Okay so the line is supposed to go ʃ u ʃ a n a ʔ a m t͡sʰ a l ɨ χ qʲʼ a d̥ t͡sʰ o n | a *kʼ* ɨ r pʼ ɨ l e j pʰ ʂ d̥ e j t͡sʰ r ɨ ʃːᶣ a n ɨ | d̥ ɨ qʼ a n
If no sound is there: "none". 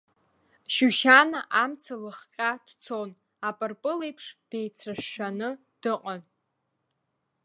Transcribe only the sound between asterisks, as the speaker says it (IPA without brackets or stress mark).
pʼ